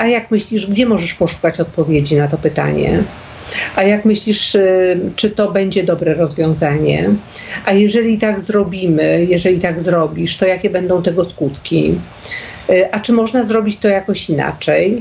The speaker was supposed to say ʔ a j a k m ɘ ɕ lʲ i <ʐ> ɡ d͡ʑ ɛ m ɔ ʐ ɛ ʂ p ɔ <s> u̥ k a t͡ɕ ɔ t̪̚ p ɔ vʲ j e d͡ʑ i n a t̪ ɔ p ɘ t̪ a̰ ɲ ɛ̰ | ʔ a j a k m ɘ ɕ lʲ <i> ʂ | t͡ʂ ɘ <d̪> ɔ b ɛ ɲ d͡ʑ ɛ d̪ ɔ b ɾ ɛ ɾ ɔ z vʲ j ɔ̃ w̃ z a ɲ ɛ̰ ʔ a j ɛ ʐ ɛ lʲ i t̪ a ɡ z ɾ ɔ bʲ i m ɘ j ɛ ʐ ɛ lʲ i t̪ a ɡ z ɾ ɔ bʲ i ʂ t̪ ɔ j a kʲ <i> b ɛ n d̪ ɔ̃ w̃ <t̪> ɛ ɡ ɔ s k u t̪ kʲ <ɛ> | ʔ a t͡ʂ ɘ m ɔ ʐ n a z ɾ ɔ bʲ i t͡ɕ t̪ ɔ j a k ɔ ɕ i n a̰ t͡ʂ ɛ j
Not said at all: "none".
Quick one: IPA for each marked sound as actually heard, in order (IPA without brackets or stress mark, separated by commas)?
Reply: ʐ, ʂ, i, t̪, ɛ, t̪, i